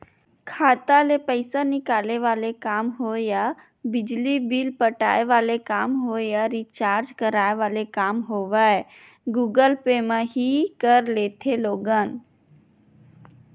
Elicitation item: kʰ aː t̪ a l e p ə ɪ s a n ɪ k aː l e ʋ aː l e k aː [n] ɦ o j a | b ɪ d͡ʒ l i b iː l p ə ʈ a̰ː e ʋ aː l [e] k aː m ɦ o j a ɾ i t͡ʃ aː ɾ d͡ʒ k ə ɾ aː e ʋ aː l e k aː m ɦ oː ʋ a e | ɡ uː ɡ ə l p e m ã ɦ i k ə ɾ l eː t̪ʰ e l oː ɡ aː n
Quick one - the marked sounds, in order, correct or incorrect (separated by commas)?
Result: incorrect, correct